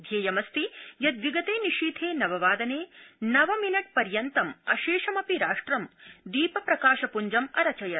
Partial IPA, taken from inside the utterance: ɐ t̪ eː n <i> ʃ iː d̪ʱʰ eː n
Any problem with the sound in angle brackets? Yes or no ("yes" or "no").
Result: no